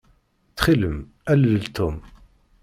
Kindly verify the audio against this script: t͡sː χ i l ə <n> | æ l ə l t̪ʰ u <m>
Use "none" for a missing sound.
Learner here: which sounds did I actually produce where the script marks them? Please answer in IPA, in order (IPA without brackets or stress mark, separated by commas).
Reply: m, m